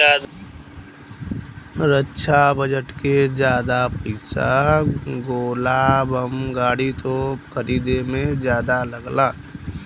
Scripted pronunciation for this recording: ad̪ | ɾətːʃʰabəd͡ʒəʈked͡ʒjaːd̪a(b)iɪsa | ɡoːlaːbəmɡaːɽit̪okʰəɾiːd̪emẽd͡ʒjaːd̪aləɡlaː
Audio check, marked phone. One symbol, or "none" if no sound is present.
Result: p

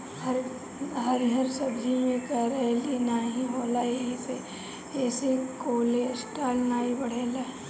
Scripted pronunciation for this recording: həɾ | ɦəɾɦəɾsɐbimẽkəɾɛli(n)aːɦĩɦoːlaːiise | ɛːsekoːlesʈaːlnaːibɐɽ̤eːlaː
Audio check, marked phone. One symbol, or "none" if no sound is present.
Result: n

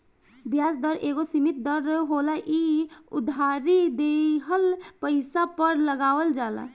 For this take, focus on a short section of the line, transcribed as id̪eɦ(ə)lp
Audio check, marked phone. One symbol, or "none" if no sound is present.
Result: ə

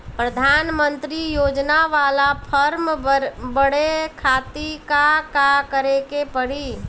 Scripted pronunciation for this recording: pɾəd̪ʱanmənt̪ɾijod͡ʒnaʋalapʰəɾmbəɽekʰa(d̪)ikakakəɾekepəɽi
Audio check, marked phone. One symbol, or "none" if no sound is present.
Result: t̪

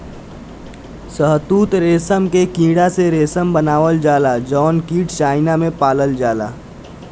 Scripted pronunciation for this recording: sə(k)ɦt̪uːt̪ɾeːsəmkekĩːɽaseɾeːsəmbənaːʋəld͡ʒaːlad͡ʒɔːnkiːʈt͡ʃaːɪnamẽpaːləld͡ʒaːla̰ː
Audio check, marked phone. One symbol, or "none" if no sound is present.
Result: none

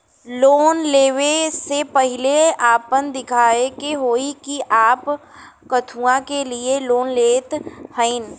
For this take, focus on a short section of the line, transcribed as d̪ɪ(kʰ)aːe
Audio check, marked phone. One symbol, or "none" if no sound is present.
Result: kʰ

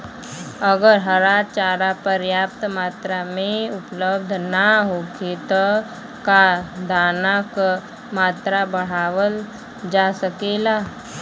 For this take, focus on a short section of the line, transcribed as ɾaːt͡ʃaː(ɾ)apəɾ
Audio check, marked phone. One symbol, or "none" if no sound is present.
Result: ɾ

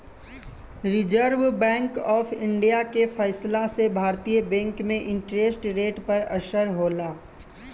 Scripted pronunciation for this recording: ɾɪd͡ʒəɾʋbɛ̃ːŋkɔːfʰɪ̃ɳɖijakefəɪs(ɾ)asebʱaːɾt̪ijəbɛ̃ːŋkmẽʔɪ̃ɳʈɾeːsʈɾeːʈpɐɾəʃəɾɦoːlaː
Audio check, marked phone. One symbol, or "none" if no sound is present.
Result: l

